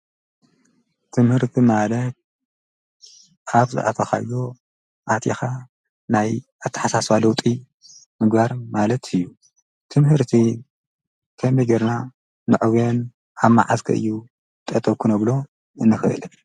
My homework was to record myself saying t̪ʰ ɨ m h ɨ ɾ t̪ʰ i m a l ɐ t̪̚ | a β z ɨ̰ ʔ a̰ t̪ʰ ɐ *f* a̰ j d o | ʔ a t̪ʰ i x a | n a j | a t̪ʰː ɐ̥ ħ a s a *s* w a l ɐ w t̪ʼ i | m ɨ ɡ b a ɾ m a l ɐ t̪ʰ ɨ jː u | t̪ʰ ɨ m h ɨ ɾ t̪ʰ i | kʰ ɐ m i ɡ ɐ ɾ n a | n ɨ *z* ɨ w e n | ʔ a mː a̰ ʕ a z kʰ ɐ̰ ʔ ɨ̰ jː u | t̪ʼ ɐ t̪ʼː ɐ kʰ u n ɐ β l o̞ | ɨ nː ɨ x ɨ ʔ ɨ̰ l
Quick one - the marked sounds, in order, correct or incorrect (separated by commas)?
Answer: incorrect, correct, incorrect